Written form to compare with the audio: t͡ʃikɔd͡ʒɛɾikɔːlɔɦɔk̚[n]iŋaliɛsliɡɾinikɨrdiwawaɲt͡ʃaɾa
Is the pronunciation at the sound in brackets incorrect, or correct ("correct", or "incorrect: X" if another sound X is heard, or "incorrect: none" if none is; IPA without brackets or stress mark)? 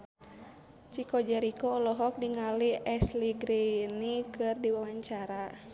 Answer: incorrect: d